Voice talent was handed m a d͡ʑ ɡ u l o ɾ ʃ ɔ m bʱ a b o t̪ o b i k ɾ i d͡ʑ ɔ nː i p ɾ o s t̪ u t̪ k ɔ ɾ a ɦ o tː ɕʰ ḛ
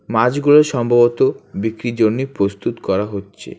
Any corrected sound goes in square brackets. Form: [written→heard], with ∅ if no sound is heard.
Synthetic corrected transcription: m a d͡ʑ ɡ u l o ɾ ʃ ɔ m bʱ a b o t̪ o b i k ɾ i d͡ʑ [ɔ→o] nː i p ɾ o s t̪ u t̪ k ɔ ɾ a ɦ o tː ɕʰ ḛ